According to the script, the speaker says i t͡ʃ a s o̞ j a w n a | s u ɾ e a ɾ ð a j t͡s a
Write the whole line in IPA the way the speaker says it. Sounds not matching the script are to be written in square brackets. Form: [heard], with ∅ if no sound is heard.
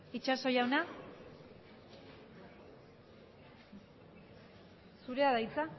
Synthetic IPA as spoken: i t͡ʃ a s o̞ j a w n a | s u ɾ e a [∅] ð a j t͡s a